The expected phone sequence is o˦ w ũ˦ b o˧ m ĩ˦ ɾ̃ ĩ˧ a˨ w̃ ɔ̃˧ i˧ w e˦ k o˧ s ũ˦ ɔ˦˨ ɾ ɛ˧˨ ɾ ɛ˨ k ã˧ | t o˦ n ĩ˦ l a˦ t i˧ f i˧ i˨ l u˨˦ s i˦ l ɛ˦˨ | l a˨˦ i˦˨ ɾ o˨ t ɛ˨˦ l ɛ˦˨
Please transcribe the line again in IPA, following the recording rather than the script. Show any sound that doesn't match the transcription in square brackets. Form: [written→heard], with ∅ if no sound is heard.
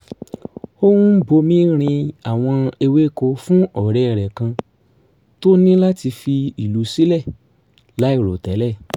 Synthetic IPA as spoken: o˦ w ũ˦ b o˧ m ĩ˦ ɾ̃ ĩ˧ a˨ w̃ ɔ̃˧ [i˧→e˧] w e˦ k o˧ [s→f] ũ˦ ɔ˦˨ ɾ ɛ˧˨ ɾ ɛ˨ k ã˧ | t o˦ n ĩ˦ l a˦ t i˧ f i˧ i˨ l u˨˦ s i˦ l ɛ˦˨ | l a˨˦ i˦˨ ɾ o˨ t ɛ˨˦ l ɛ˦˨